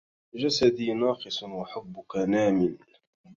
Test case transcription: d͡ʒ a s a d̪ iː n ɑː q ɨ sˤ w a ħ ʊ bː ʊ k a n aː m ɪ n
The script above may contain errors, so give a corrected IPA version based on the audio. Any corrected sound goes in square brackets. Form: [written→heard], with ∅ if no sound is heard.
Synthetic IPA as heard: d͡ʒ a s a d̪ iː n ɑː q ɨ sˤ w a ħ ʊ bː ʊ k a n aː m ɪ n